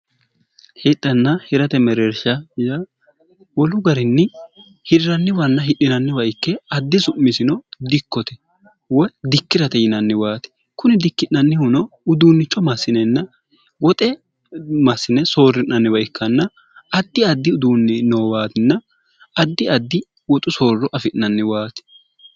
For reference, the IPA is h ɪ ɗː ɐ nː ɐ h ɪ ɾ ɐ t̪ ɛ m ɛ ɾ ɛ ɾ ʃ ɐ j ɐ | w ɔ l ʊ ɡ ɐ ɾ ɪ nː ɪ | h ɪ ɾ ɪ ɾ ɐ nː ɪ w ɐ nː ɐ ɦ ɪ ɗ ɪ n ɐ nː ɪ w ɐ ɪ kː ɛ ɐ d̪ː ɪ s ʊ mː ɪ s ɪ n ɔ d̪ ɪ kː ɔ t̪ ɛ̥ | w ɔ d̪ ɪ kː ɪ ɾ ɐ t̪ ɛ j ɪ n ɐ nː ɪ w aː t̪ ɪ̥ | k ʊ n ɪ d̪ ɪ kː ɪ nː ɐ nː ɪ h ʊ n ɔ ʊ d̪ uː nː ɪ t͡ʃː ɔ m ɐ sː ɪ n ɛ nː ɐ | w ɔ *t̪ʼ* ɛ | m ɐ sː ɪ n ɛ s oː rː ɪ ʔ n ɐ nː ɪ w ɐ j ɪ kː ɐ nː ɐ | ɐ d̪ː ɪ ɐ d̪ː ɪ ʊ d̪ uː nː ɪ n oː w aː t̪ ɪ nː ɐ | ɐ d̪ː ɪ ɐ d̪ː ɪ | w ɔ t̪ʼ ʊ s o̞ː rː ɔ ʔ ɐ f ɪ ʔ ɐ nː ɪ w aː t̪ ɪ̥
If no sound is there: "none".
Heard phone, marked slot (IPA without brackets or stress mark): t̪ʼ